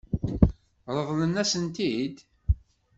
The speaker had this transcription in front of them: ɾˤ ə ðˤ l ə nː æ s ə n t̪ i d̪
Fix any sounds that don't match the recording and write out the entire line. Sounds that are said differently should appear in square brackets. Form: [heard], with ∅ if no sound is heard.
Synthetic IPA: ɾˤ ə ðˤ l ə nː æ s ə n t̪ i d̪